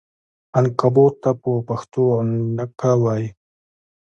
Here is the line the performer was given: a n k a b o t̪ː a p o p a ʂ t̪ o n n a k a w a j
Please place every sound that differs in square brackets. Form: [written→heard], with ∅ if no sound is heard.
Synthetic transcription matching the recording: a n k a b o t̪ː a p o p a [ʂ→x] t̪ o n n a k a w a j